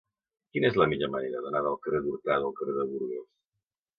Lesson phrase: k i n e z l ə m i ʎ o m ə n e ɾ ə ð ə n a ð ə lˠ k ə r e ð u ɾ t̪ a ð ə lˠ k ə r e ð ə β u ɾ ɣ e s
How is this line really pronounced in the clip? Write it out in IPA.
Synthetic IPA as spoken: k i n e z l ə m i ʎ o m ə n e ɾ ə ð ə n a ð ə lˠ k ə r e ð u ɾ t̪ a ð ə lˠ k ə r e ð ə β u ɾ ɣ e s